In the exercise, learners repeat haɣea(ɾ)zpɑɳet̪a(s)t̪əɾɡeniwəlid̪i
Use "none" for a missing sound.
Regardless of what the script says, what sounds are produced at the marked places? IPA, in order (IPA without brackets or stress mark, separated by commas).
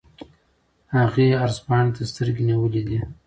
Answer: ɾ, s